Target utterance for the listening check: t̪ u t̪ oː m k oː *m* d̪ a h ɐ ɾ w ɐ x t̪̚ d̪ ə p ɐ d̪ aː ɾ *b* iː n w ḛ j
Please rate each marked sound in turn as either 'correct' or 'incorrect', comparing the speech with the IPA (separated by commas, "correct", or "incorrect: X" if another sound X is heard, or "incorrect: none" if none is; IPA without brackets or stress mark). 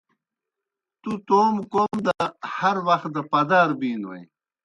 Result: correct, correct